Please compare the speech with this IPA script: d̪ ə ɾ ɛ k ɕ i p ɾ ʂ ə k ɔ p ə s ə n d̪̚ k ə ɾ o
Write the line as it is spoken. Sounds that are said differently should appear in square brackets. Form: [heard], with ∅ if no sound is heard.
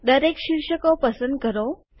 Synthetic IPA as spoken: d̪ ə ɾ [e] k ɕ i [∅] ɾ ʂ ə k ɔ p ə s ə n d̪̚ k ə ɾ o